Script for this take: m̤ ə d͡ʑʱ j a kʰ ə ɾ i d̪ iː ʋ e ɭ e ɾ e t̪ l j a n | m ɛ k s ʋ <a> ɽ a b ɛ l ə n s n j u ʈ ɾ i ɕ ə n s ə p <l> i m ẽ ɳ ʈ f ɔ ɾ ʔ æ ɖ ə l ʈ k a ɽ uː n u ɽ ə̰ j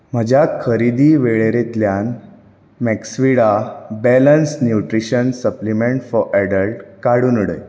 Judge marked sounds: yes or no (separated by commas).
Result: no, yes